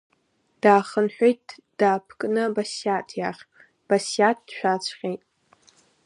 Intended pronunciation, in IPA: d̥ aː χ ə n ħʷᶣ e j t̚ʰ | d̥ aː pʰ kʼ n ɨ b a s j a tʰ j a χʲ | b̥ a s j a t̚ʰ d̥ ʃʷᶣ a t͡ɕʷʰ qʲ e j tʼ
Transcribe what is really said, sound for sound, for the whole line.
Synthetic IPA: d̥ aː χ ə n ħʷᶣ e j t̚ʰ | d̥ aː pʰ kʼ n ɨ b a s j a tʰ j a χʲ | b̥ a s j a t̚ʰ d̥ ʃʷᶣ a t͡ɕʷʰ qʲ e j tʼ